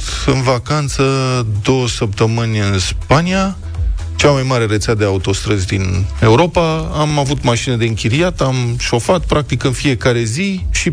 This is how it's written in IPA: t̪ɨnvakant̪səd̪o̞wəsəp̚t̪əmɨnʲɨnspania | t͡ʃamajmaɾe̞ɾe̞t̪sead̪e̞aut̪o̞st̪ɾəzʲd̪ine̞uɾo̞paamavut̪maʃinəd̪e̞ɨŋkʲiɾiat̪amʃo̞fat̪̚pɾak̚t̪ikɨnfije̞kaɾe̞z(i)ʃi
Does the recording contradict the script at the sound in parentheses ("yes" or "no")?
no